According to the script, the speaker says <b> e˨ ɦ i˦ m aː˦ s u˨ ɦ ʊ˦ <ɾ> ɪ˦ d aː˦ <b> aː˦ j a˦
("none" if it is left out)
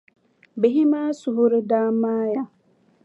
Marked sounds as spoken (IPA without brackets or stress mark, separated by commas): b, ɾ, m